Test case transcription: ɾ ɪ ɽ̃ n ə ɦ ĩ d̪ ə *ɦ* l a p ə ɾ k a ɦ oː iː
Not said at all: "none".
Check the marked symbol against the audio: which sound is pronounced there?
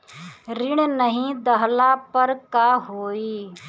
ɦ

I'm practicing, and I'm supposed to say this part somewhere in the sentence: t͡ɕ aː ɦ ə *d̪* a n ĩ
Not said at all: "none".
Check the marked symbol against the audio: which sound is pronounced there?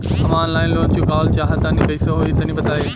t̪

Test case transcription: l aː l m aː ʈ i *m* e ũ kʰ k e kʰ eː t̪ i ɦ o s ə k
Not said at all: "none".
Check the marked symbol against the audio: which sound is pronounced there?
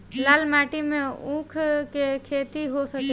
m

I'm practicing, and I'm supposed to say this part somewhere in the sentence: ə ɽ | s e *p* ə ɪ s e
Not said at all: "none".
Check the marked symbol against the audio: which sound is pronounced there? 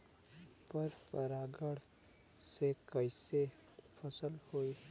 k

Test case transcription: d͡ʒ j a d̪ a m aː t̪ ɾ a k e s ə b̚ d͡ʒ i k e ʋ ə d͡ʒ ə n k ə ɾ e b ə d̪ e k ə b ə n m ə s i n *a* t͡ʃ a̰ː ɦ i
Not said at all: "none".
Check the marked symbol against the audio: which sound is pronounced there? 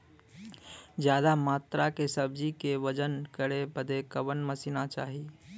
a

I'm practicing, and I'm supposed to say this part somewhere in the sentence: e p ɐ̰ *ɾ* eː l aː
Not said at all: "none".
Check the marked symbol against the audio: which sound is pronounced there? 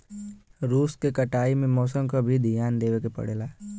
ɽ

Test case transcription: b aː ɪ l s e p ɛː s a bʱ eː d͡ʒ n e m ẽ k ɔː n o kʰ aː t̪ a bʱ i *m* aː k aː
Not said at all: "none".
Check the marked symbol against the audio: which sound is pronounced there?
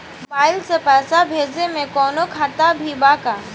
b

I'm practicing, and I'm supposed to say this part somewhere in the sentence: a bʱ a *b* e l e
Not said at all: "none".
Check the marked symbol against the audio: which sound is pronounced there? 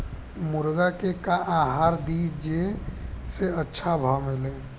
m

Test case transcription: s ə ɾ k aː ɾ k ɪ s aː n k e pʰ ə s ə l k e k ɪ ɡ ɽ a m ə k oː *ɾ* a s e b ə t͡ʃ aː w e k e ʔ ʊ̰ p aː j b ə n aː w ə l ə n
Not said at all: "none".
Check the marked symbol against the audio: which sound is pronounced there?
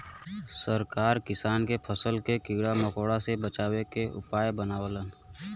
ɽ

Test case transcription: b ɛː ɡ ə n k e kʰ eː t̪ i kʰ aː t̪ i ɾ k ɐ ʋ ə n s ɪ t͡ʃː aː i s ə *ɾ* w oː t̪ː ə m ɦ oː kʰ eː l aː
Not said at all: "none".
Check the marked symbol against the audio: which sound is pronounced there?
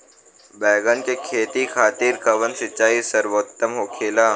ɾ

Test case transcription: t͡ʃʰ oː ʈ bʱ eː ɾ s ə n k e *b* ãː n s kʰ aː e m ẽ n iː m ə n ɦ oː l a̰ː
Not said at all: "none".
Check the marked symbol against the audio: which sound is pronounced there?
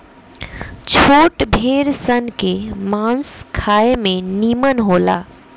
m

